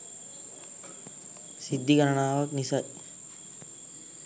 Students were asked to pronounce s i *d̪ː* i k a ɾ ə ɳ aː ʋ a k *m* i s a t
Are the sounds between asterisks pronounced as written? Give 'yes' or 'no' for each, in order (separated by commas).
yes, no